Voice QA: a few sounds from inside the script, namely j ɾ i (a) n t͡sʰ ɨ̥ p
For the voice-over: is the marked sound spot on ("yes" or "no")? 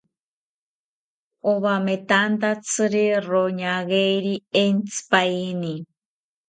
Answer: no